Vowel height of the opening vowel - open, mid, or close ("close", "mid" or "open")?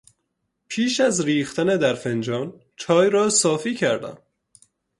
close